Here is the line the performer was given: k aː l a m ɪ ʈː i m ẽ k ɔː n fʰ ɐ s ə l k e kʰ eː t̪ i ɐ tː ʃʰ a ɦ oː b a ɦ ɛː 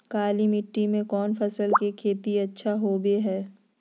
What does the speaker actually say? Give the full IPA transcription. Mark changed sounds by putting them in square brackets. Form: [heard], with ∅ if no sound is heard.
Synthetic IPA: k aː l [i] m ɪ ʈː i m ẽ k ɔː n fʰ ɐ s ə l k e kʰ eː t̪ i ɐ tː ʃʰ a ɦ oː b [e] ɦ ɛː